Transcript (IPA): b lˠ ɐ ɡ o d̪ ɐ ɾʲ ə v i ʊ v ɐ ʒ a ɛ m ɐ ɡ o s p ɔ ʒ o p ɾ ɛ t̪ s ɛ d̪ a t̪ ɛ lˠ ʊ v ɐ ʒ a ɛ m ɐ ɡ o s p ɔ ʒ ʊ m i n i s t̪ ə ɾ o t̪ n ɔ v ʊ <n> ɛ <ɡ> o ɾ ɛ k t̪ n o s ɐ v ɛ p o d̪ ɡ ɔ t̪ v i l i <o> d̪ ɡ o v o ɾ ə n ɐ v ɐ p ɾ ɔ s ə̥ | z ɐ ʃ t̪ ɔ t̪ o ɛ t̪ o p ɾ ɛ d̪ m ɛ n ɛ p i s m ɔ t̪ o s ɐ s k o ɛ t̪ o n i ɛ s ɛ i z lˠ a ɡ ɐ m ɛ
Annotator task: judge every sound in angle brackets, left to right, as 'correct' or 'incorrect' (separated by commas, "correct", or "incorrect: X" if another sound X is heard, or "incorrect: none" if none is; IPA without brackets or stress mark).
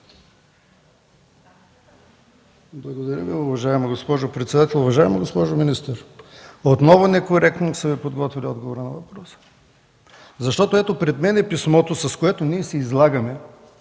correct, incorrect: k, incorrect: ɔ